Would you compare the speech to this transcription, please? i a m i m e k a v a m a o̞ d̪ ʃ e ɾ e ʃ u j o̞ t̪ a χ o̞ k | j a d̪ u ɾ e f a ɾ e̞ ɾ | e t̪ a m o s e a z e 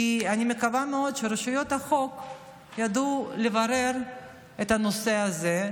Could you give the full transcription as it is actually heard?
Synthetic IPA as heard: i a n i m e k a v a m e o̞ d̪ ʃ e ɾ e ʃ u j o̞ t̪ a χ o̞ k | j a d̪ u l e v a ɾ e̞ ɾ | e t̪ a n o s e a z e